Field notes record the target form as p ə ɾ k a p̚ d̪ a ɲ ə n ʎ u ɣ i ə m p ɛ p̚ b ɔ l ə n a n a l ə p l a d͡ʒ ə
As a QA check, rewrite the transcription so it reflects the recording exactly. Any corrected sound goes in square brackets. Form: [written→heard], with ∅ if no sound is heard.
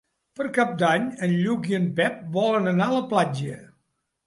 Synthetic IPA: p ə ɾ k a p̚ d̪ a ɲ ə n ʎ u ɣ i ə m p ɛ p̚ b ɔ l ə n [a→ə] n a l ə p l a d͡ʒ ə